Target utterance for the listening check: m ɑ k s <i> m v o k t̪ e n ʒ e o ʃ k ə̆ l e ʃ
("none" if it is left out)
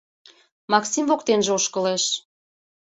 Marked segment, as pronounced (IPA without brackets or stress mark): i